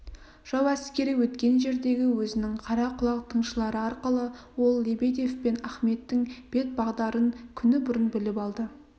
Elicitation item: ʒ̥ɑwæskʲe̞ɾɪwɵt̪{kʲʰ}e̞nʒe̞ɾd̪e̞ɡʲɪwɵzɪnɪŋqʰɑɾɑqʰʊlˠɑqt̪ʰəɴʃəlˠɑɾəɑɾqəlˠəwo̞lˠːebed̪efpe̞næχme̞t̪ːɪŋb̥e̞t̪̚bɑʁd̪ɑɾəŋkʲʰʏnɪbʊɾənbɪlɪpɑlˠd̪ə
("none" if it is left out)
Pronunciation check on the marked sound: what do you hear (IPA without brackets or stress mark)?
kʲ